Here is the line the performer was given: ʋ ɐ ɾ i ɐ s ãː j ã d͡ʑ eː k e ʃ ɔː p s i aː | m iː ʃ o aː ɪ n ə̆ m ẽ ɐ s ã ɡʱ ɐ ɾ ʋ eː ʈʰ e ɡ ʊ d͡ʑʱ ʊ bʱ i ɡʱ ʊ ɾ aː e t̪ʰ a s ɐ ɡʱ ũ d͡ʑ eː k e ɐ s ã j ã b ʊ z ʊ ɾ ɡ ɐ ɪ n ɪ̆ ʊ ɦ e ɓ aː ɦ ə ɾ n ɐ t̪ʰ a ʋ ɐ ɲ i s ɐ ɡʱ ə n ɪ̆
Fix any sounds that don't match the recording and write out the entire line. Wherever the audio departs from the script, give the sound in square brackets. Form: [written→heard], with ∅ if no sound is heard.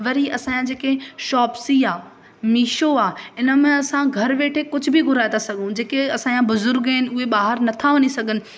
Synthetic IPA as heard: ʋ ɐ ɾ i ɐ s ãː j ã d͡ʑ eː k e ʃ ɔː p s i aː | m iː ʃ o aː ɪ n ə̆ m ẽ ɐ s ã ɡʱ ɐ ɾ ʋ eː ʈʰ e [ɡ→k] ʊ d͡ʑʱ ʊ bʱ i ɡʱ ʊ ɾ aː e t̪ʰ a s ɐ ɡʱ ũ d͡ʑ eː k e ɐ s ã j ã b ʊ z ʊ ɾ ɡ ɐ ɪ n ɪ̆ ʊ ɦ e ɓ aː ɦ ə ɾ n ɐ t̪ʰ a ʋ ɐ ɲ i s ɐ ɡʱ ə n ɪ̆